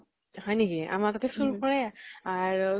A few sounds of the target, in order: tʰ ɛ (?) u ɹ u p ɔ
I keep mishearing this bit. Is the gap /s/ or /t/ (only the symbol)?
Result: s